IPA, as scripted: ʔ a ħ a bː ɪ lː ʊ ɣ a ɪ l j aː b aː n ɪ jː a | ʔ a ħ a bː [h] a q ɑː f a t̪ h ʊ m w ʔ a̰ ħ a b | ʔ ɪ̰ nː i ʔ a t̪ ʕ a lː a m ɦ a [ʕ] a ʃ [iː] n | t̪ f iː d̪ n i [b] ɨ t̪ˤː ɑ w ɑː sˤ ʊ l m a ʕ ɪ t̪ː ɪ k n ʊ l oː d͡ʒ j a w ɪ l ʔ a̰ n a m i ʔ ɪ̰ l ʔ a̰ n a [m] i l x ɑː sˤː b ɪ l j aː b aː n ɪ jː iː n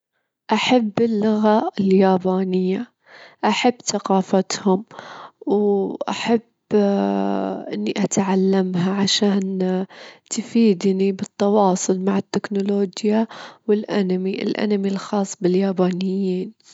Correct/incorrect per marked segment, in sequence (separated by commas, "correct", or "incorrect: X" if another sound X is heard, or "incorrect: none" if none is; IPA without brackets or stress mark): incorrect: θ, correct, incorrect: aː, correct, correct